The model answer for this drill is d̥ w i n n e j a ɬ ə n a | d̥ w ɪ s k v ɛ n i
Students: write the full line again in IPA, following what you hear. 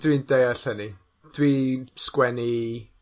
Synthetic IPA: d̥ w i n d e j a ɬ ə n i | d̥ w i s k w ɛ n i